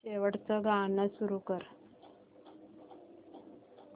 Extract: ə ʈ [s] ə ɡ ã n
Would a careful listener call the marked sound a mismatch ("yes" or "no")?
yes